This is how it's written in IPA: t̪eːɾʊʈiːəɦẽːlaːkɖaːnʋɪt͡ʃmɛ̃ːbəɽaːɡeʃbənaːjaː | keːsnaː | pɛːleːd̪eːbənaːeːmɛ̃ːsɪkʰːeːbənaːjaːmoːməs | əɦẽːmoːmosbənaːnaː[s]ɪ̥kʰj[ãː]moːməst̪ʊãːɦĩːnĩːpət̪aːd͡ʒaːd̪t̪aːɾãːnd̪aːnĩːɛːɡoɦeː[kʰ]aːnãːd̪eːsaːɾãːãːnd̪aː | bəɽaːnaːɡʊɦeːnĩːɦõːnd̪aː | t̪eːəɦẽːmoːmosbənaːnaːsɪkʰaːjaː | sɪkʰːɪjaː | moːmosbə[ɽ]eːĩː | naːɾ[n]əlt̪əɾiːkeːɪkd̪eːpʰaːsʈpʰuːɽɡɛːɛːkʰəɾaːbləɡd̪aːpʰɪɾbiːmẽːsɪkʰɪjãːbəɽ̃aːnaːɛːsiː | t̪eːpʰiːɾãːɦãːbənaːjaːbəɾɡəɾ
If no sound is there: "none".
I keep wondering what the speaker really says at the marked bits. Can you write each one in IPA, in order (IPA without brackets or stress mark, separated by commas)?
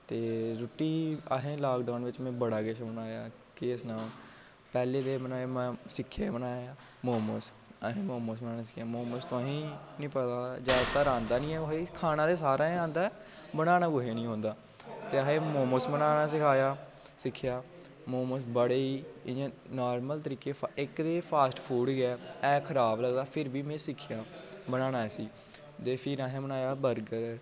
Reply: s, aː, kʰ, ɽ, m